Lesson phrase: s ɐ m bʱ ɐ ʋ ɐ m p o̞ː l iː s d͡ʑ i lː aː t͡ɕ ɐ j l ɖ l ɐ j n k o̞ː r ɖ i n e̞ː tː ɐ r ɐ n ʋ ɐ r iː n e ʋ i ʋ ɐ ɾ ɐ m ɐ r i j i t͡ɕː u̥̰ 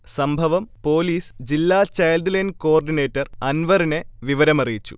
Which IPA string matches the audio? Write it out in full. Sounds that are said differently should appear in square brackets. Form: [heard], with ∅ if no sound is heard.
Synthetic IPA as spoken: s ɐ m bʱ ɐ ʋ ɐ m p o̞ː l iː s d͡ʑ i lː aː t͡ɕ ɐ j l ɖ l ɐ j n k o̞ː r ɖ i n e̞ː tː ɐ r ɐ n ʋ ɐ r [i] n e ʋ i ʋ ɐ ɾ ɐ m ɐ r i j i t͡ɕː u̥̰